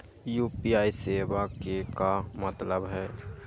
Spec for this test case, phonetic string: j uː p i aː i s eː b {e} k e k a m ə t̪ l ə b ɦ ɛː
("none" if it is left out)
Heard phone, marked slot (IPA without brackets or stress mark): a